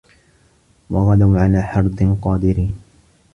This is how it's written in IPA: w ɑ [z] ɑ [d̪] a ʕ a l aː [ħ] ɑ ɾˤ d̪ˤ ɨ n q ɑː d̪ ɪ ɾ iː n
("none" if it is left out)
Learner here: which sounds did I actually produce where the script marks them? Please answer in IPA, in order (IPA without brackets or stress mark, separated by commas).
ɣ, d̪, ħ